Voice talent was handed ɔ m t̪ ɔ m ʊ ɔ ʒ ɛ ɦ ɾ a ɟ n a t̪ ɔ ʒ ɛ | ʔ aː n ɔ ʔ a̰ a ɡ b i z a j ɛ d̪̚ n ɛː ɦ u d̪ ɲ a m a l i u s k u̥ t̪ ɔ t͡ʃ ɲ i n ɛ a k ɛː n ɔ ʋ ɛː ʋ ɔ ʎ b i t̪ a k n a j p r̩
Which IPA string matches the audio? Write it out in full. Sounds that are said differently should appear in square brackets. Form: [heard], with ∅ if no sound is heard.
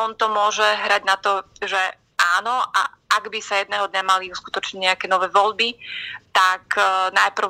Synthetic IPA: ɔ [n] t̪ ɔ m ʊ ɔ ʒ ɛ ɦ ɾ a ɟ n a t̪ ɔ ʒ ɛ | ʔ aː n ɔ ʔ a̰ a ɡ b i [s] a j ɛ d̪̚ n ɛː ɦ [ɔ] d̪ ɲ a m a l i u s k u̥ t̪ ɔ t͡ʃ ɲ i [ɲ] ɛ a k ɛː n ɔ ʋ ɛː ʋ ɔ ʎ b i t̪ a k n a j p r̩